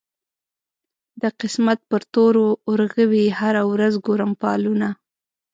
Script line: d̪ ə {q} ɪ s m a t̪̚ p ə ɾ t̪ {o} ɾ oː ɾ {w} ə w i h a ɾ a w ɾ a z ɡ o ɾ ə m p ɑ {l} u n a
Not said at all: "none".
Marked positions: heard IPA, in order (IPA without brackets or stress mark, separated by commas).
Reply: q, o, ɣ, l